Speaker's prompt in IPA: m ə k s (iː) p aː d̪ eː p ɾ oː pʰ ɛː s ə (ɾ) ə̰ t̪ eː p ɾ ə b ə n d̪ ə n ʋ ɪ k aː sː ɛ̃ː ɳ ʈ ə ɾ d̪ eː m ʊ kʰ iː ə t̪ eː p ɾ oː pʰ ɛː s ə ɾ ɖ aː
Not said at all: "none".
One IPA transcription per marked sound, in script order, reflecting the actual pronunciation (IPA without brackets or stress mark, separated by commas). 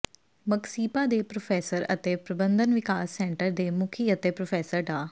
iː, ɾ